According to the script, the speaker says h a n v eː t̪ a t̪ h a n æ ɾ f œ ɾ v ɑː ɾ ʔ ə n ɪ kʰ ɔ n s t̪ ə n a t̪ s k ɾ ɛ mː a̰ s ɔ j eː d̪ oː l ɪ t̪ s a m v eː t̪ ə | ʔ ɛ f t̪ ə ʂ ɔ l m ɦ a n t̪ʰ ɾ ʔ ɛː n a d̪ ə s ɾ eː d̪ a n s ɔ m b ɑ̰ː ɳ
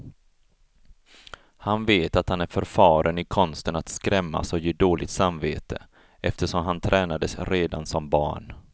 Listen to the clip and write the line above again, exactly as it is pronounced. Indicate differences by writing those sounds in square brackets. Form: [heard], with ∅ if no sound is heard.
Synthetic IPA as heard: h a n v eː t̪ a t̪ h a n æ ɾ f œ ɾ [f] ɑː ɾ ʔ ə n ɪ kʰ ɔ n s t̪ ə n a t̪ s k ɾ ɛ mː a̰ s ɔ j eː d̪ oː l ɪ t̪ s a m v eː t̪ ə | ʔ ɛ f t̪ ə ʂ ɔ [∅] m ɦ a n t̪ʰ ɾ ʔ ɛː n a d̪ ə s ɾ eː d̪ a n s ɔ m b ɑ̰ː ɳ